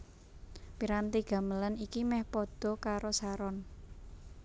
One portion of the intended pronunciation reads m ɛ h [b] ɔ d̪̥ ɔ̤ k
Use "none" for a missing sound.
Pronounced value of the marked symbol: p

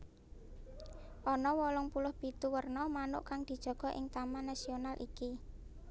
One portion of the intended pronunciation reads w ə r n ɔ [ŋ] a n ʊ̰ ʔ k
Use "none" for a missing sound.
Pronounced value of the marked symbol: m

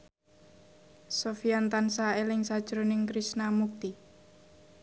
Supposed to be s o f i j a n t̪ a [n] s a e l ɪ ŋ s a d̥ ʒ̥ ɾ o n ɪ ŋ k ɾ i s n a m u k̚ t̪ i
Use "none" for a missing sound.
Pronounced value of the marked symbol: n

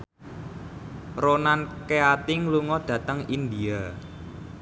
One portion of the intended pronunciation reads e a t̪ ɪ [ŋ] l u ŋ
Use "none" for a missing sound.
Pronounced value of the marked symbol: ŋ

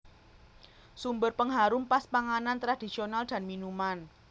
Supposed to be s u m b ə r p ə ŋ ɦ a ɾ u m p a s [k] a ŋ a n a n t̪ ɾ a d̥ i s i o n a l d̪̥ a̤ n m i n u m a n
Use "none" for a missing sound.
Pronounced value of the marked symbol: p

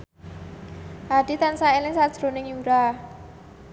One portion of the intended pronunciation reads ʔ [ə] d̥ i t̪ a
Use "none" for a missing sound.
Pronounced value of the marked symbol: a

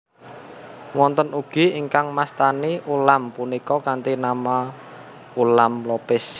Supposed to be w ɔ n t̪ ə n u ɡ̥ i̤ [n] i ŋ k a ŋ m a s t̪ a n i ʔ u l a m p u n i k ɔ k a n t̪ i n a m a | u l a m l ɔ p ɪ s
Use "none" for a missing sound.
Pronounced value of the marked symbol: none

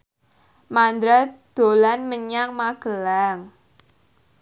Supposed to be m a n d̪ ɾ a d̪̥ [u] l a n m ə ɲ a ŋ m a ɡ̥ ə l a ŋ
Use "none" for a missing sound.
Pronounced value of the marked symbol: o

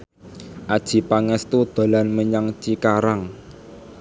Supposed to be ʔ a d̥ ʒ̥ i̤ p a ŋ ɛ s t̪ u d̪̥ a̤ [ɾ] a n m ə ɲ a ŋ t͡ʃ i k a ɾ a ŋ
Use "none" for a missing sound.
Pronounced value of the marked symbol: l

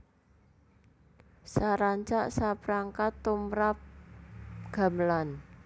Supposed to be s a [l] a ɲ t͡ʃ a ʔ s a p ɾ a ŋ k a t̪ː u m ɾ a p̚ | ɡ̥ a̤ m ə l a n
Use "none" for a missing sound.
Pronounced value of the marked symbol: ɾ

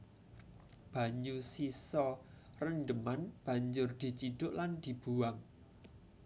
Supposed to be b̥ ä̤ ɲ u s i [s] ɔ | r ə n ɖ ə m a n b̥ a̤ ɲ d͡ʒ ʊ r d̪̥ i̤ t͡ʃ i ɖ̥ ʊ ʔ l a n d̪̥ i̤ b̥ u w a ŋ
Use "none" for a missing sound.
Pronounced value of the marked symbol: s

